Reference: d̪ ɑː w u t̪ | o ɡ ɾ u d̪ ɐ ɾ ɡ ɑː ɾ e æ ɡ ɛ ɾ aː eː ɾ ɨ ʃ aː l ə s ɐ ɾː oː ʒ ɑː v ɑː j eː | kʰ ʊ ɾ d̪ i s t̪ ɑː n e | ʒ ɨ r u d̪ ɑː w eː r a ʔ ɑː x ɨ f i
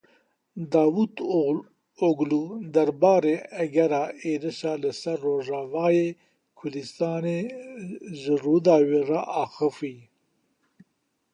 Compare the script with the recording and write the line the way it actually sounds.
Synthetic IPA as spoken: d̪ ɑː w u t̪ | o ɡ l u d̪ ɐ ɾ b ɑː ɾ e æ ɡ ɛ ɾ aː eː ɾ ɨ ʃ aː l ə s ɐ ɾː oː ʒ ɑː v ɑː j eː | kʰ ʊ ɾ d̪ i s t̪ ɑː n e | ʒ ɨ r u d̪ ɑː w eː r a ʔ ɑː x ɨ f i